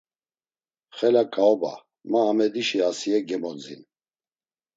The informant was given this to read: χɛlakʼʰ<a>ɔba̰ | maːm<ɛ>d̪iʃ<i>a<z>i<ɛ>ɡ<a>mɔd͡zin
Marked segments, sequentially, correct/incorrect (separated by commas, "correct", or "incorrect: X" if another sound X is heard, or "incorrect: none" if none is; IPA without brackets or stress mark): correct, correct, correct, incorrect: s, correct, incorrect: ɛ